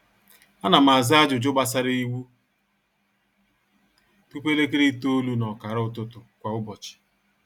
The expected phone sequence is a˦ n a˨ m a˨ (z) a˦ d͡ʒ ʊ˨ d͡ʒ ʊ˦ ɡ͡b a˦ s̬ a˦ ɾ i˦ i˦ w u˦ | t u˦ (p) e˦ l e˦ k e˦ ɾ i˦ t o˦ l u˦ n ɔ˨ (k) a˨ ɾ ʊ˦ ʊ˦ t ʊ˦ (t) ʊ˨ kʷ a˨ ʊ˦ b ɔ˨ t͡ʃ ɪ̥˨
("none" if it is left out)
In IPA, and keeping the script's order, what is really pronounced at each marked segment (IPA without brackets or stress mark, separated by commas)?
z, p, k, t